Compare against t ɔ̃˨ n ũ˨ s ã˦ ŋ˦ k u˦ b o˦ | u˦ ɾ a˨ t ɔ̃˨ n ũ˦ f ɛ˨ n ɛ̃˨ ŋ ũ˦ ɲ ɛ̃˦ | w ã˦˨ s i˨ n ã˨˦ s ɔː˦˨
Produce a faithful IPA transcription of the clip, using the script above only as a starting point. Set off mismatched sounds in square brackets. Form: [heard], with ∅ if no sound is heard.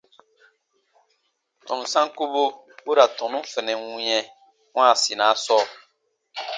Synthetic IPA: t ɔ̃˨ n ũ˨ s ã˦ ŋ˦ k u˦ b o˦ | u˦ ɾ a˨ t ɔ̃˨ n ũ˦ f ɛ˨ n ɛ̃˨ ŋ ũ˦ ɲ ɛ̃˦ | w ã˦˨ s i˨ n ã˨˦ s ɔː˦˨